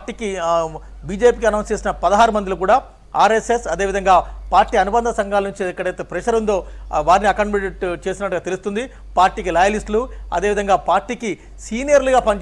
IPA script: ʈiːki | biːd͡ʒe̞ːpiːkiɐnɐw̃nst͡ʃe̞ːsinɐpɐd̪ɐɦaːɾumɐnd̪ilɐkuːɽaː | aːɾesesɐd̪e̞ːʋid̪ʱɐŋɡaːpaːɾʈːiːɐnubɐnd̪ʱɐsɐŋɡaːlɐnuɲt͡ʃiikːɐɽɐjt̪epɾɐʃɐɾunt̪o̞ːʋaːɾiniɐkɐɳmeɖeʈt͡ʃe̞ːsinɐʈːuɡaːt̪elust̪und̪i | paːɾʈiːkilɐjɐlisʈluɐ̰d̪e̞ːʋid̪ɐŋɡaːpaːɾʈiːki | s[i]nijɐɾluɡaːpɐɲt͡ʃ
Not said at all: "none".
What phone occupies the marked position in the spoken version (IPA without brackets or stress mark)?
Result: iː